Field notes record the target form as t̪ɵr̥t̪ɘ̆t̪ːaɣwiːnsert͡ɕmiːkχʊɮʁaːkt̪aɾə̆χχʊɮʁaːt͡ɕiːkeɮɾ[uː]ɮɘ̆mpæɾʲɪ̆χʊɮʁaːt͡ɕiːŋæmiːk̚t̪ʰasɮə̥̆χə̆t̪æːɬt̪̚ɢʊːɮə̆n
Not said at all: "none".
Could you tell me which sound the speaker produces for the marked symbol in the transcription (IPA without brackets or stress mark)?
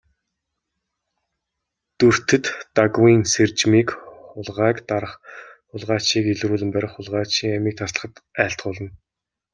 uː